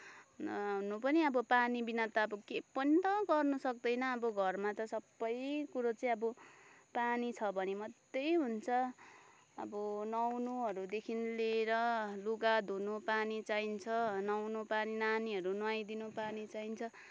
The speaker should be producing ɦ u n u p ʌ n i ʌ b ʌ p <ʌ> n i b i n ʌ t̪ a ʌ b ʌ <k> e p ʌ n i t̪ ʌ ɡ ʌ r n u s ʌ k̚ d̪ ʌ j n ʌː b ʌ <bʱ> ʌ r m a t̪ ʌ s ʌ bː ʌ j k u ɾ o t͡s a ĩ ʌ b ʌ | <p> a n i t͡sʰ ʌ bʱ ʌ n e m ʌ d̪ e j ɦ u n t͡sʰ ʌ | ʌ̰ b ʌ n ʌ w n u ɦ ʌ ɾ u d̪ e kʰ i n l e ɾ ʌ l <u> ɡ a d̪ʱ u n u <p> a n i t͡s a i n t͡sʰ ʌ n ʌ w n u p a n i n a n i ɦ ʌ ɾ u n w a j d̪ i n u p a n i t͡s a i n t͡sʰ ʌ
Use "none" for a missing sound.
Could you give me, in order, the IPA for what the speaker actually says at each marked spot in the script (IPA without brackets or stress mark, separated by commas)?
a, k, ɡʱ, p, u, p